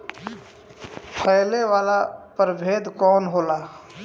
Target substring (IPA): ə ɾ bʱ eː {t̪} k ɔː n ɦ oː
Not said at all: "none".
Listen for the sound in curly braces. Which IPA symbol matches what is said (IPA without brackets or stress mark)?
d̪